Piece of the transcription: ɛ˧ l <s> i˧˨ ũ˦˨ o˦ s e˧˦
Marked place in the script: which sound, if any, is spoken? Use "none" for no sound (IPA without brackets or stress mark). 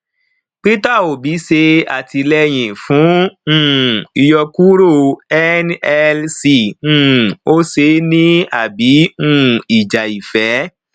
s